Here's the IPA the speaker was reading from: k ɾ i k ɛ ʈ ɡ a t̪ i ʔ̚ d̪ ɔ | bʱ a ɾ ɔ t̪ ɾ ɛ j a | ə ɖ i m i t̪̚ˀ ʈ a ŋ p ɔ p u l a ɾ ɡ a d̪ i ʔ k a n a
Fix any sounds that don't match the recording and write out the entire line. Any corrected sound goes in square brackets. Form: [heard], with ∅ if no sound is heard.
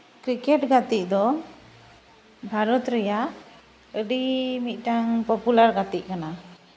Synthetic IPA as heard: k ɾ i k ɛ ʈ ɡ a t̪ i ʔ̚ d̪ ɔ | bʱ a ɾ ɔ t̪ ɾ ɛ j a | ə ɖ i m i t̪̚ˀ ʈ a ŋ p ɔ p u l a ɾ ɡ a [t̪] i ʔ k a n a